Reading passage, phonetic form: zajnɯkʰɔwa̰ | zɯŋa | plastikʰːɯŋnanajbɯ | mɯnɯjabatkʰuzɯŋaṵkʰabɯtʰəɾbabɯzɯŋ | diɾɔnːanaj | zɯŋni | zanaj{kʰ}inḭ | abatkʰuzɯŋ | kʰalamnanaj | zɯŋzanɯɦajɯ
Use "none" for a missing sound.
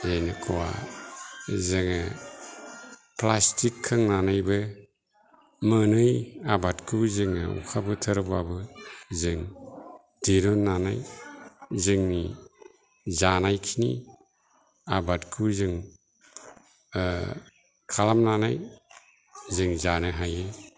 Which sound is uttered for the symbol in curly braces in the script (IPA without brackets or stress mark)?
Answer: kʰ